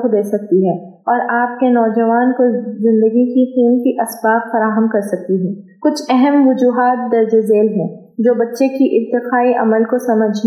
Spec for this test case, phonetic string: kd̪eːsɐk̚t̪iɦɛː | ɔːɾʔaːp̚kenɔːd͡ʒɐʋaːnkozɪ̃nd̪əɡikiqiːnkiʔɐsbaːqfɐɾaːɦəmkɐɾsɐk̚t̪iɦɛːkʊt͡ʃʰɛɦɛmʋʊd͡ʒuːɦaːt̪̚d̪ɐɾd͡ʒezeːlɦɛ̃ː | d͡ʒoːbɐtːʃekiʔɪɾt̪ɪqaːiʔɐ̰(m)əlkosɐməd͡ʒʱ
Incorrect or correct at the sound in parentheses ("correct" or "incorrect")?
correct